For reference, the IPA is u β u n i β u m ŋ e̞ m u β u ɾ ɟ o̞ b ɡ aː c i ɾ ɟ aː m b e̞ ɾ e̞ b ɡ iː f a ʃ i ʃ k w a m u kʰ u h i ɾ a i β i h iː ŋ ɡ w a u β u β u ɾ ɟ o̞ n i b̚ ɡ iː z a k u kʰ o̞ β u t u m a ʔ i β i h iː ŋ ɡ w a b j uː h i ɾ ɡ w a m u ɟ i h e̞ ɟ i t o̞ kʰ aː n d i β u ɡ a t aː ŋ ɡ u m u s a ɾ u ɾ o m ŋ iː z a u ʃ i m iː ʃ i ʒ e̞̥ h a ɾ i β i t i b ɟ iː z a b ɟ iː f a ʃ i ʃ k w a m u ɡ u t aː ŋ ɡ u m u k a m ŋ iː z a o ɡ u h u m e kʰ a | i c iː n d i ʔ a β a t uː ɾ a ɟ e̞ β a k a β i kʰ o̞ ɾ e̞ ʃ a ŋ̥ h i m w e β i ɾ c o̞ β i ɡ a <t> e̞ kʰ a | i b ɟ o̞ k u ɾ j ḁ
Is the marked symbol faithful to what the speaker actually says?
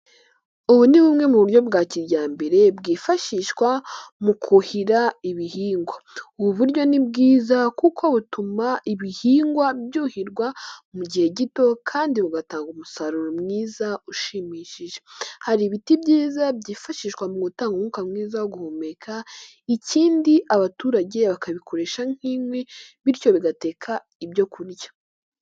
yes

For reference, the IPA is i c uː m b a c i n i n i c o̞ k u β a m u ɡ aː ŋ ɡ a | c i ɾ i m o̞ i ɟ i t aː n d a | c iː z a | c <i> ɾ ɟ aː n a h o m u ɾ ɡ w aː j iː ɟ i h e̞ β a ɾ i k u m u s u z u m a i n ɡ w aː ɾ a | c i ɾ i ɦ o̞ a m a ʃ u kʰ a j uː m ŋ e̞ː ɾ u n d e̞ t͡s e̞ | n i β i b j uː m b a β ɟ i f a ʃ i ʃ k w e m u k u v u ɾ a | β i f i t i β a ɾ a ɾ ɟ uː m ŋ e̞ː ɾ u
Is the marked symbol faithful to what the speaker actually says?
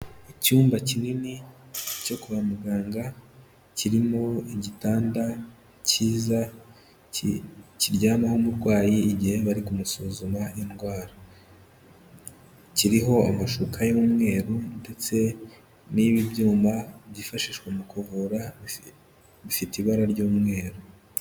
yes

